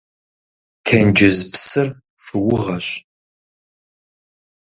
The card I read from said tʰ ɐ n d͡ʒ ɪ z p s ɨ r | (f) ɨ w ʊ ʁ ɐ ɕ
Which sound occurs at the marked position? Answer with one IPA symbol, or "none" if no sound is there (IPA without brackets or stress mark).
f